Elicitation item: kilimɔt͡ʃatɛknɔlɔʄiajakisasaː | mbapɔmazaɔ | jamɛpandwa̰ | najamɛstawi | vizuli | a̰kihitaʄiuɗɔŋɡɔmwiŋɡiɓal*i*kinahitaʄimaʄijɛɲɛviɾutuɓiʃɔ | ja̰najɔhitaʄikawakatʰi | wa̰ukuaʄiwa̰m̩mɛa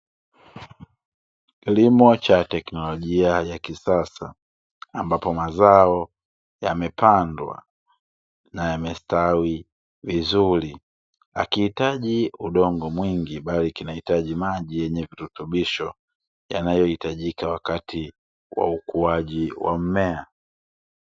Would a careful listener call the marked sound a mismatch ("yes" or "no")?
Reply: no